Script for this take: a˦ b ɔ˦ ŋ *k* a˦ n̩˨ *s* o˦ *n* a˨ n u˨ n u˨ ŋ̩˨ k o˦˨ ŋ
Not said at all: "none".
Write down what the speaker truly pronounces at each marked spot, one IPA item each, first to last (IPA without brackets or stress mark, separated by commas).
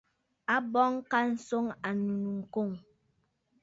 k, s, ŋ